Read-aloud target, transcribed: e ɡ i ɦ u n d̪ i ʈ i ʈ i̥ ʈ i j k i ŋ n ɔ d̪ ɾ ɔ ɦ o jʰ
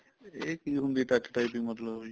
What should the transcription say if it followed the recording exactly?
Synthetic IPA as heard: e k i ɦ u n d̪ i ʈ a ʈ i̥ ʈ a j p i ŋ m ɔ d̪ l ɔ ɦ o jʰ